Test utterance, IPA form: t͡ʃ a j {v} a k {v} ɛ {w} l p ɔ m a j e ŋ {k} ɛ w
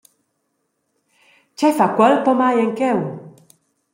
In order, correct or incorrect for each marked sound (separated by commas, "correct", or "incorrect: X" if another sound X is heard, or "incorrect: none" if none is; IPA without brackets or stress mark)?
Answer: incorrect: f, incorrect: w, incorrect: none, correct